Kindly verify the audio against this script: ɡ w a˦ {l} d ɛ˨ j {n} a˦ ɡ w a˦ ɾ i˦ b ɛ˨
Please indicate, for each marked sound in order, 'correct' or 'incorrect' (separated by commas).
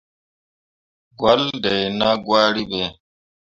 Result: correct, correct